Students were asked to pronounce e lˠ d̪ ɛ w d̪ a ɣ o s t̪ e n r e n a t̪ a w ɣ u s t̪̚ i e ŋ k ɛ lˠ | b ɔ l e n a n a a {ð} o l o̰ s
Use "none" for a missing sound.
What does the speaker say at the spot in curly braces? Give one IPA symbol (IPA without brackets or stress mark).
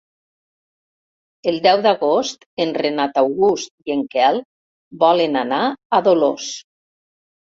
ð